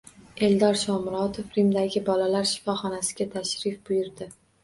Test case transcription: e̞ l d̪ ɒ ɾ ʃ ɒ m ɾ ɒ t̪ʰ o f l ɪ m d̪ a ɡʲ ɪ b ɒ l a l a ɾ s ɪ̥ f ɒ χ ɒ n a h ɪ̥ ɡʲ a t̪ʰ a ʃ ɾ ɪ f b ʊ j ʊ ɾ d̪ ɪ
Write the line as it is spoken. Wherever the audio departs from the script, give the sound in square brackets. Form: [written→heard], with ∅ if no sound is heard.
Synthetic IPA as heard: e̞ l d̪ ɒ ɾ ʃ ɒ m ɾ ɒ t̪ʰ o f [l→ɾ] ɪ m d̪ a ɡʲ ɪ b ɒ l a l a ɾ [s→ʃ] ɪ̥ f ɒ χ ɒ n a [h→s] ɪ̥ ɡʲ a t̪ʰ a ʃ ɾ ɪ f b ʊ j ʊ ɾ d̪ ɪ